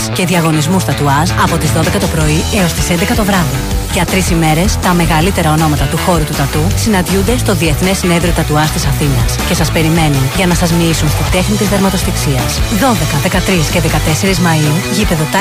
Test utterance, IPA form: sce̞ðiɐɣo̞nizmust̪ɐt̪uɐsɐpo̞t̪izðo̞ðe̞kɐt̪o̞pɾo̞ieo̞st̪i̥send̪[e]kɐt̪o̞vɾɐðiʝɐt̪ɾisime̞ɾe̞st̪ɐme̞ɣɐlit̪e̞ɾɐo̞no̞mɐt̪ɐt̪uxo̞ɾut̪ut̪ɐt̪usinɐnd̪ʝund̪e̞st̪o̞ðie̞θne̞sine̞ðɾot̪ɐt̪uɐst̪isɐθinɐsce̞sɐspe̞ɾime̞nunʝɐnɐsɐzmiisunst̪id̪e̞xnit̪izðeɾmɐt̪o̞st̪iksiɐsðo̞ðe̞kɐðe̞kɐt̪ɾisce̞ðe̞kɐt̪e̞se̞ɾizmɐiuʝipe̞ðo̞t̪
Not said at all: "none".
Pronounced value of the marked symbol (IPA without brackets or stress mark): e